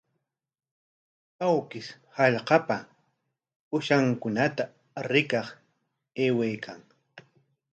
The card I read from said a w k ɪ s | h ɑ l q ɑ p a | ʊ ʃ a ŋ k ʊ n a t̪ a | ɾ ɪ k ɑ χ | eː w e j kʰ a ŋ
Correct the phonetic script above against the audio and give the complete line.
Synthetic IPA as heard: a w k ɪ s | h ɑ ʎ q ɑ p a | ʊ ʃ a ŋ k ʊ n a t̪ a | ɾ ɪ k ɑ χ | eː w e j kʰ a ŋ